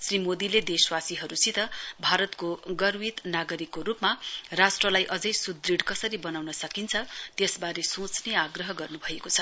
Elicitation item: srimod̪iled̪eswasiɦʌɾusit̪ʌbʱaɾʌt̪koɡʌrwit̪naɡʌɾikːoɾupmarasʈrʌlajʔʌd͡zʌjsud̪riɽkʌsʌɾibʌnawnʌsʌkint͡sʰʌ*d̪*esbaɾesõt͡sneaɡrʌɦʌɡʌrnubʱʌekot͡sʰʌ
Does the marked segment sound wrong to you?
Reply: yes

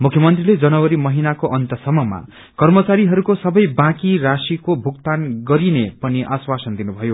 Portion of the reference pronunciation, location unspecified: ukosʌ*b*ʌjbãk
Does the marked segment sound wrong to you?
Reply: no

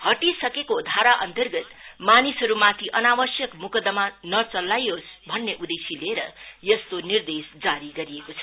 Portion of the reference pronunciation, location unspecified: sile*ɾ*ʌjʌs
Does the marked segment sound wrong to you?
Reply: no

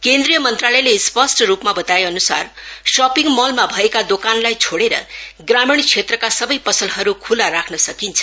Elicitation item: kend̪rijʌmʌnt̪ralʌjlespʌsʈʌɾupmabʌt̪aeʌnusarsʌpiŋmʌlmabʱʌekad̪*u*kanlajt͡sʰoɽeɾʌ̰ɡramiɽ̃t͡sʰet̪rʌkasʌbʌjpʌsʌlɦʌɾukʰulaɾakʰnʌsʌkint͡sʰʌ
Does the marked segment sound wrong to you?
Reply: yes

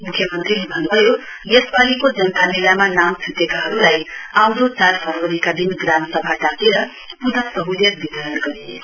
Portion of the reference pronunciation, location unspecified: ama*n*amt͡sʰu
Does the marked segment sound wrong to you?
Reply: no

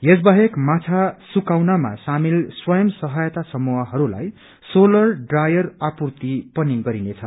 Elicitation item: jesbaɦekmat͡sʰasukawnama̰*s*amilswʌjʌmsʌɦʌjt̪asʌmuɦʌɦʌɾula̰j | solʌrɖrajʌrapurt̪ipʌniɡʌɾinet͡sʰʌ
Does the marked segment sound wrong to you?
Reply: no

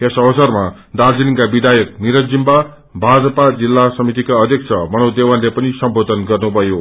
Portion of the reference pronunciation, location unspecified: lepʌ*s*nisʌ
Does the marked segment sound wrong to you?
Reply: yes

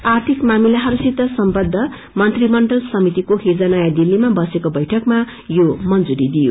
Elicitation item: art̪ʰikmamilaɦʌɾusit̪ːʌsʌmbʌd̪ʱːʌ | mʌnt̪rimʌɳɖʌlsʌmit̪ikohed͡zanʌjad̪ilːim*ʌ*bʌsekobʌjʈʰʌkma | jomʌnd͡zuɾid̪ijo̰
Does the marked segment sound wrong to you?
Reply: yes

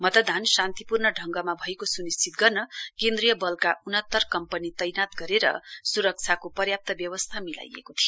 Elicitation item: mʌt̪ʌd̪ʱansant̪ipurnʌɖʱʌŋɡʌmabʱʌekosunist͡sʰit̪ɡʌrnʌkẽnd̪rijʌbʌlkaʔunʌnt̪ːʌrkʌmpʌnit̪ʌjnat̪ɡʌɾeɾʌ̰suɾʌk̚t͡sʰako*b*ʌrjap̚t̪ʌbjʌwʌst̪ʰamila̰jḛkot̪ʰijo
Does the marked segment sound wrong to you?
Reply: yes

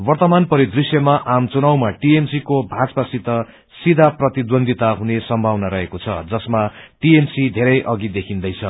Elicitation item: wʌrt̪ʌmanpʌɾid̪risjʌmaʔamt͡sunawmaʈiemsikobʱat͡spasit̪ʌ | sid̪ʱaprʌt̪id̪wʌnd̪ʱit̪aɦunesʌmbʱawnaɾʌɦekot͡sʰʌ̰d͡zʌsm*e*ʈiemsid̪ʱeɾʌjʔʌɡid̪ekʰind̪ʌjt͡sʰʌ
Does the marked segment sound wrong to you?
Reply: yes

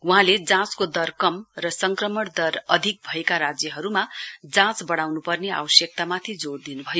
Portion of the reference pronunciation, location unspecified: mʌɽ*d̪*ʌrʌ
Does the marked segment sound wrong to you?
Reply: no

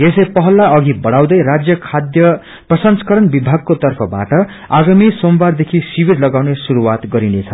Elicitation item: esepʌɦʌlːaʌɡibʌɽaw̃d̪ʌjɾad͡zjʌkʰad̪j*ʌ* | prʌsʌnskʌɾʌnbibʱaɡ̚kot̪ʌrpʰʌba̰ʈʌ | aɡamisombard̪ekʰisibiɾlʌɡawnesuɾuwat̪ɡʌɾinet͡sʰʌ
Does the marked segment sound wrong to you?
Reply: no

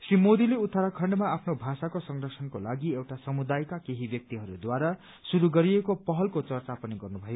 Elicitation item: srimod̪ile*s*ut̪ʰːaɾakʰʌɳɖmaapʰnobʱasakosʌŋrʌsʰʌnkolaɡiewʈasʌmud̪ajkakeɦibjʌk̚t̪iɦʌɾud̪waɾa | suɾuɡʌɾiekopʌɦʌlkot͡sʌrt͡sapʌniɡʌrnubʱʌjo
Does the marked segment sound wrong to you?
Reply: yes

